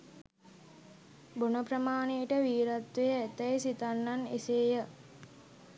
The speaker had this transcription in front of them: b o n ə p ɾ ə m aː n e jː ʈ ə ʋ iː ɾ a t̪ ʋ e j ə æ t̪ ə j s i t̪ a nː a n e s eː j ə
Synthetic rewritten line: b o n ə p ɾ ə m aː n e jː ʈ ə ʋ iː ɾ a t̪ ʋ e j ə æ t̪ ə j s i t̪ a nː a n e s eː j ə

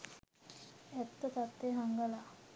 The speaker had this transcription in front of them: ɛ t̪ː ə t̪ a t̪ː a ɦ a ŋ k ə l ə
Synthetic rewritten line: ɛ t̪ː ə t̪ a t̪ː e ɦ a ŋ ɡ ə l a

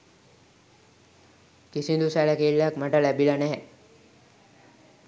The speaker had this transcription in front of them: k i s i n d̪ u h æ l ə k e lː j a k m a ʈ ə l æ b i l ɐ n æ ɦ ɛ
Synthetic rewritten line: k i s i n d̪ u s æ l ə k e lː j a k m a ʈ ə l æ b i l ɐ n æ ɦ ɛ

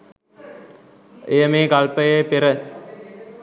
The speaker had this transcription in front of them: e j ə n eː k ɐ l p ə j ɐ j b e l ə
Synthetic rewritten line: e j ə m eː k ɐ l p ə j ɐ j p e ɾ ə

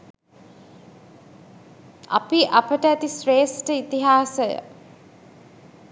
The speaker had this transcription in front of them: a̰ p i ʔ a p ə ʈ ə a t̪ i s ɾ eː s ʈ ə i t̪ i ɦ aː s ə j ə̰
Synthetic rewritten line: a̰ p i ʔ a p ə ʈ ə æ t̪ i s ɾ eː s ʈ ə i t̪ i ɦ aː s ə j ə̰

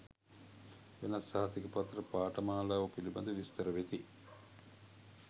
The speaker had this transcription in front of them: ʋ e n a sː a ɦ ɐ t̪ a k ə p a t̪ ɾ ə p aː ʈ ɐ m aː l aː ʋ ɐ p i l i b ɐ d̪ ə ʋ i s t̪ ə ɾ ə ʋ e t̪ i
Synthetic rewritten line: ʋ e n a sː a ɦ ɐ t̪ i k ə p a t̪ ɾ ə p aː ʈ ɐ m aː l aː ʋ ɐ p i l i b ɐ d̪ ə ʋ i s t̪ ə ɾ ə ʋ e t̪ i

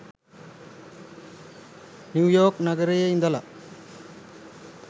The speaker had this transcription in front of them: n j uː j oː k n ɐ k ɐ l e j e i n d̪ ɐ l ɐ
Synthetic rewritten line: n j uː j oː k n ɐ ɡ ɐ ɾ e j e i n d̪ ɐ l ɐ

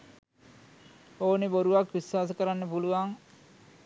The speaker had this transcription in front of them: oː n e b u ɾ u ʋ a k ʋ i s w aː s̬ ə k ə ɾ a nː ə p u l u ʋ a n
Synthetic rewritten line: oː n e b o ɾ u ʋ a k ʋ i s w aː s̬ ə k ə ɾ a nː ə p u l u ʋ a ŋ

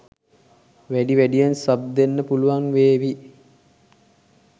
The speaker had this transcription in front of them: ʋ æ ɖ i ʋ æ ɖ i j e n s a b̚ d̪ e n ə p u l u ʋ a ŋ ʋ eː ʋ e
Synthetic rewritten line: ʋ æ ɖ i ʋ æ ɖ i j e n s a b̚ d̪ e nː ə p u l u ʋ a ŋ ʋ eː ʋ i

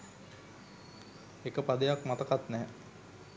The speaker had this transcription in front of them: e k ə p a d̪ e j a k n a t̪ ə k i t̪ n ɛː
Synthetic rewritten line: e k ə p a d̪ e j a k m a t̪ ə k a t̪ n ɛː

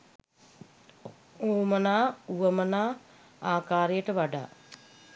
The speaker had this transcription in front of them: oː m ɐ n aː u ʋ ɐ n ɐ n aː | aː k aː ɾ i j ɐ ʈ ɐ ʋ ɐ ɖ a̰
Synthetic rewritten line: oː m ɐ n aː u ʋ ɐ m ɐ n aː | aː k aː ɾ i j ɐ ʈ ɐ ʋ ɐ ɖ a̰

